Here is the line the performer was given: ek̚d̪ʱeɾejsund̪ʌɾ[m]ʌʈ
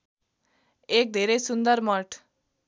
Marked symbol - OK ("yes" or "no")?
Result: yes